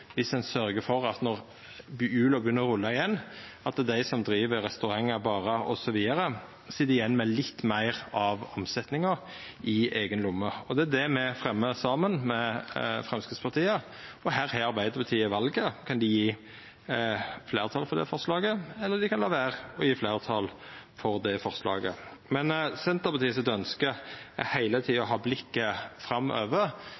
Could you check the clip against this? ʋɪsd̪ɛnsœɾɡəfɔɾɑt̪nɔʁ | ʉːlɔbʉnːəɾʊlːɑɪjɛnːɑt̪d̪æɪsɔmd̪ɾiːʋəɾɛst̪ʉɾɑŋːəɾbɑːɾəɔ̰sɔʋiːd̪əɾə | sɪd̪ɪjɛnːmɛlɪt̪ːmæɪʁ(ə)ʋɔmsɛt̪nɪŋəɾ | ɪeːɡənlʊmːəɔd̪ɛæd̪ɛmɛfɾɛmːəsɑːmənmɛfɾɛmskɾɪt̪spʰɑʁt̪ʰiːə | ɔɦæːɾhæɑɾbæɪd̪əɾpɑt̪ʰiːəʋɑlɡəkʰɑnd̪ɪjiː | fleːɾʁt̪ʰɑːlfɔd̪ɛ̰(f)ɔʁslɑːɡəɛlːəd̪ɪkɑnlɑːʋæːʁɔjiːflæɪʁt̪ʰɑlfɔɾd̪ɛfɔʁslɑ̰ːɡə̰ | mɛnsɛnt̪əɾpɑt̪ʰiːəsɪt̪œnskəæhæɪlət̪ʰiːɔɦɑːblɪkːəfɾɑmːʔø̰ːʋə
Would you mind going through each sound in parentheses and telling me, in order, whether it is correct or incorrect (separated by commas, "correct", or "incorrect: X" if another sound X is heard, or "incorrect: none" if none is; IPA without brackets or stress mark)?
incorrect: ɑ, correct